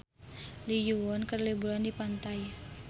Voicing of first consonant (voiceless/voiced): voiced